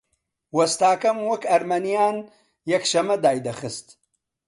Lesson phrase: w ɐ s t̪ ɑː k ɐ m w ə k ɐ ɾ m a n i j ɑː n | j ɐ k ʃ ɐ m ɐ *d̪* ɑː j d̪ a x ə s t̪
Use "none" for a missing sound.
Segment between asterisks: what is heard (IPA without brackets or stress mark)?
d̪